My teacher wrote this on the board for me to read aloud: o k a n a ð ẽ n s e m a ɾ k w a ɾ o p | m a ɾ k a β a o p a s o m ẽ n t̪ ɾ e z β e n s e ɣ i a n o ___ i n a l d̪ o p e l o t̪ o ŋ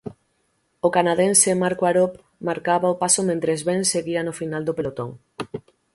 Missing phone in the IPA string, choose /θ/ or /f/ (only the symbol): f